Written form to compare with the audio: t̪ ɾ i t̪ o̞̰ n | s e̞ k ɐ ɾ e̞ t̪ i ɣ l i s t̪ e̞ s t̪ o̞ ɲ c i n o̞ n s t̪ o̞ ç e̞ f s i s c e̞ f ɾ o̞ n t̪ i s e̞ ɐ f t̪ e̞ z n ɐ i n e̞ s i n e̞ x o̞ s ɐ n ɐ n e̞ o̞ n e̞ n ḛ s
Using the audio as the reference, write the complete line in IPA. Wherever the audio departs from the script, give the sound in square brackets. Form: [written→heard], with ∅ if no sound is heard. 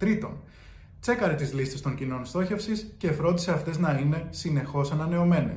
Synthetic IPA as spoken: t̪ ɾ i t̪ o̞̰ n | [s→t͡s] e̞ k ɐ ɾ e̞ t̪ i [ɣ→z] l i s t̪ e̞ s t̪ o̞ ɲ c i n o̞ n s t̪ o̞ ç e̞ f s i s c e̞ f ɾ o̞ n [t̪→d̪] i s e̞ ɐ f t̪ e̞ z n ɐ i n e̞ s i n e̞ x o̞ s ɐ n ɐ n e̞ o̞ [n→m] e̞ n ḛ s